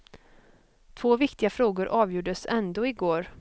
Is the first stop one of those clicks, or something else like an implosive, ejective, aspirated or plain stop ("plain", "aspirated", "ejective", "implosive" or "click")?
aspirated